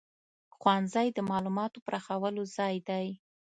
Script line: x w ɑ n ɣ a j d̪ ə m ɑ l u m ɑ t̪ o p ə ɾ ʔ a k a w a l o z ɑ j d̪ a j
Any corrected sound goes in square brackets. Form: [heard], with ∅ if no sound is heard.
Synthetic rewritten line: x w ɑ n [z] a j d̪ ə m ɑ l u m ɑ t̪ o p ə ɾ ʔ a [x] a w [ə] l o z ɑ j d̪ a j

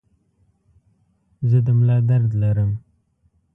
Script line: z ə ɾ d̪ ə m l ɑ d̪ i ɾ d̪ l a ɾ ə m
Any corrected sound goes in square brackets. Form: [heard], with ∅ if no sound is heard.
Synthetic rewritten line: z ə [∅] d̪ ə m l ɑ d̪ [a] ɾ d̪ l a ɾ ə m

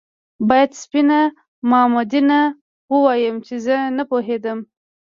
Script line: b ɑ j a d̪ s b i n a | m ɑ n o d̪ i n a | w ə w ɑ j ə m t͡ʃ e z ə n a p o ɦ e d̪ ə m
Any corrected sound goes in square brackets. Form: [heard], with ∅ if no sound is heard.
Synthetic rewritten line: b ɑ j a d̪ s [p] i n a | m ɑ [m] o d̪ i n a | w ə w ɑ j ə m t͡ʃ e z ə n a p o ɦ e d̪ ə m

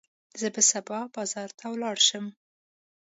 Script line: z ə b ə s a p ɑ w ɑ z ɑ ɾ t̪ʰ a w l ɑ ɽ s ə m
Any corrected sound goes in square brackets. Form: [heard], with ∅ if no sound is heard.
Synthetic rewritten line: z ə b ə s a [b] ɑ [b] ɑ z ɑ ɾ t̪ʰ a w l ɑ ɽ [ʃ] ə m

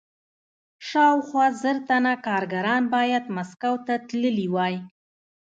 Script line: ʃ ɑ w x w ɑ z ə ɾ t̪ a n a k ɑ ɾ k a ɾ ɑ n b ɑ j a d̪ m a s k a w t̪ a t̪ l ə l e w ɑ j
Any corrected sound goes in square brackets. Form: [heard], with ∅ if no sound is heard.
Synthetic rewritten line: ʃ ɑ w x w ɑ z ə ɾ t̪ a n a k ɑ ɾ [ɡ] a ɾ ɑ n b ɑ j a d̪ m a s k a w t̪ a t̪ l ə l [i] w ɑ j

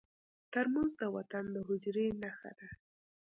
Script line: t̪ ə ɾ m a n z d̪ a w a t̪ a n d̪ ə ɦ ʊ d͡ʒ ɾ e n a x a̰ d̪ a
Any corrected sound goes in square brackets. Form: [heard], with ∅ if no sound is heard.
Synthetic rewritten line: t̪ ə ɾ m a n z d̪ [ə] w a t̪ a n d̪ ə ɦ ʊ d͡ʒ ɾ e n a x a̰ d̪ a

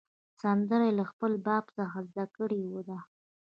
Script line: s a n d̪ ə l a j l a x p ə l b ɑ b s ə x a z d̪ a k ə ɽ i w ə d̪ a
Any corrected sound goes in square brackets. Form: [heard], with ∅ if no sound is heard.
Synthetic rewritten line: s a n d̪ ə [ɾ] a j l a x p ə l b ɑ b s ə x a z d̪ a k ə ɽ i w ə d̪ a

